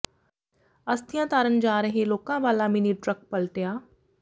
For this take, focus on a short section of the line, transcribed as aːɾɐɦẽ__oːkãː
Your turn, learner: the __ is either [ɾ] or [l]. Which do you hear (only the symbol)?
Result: l